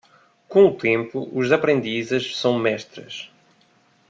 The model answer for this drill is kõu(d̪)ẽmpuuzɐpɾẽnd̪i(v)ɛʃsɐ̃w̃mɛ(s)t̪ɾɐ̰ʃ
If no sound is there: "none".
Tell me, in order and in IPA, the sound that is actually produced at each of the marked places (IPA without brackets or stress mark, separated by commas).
t̪, z, ʃ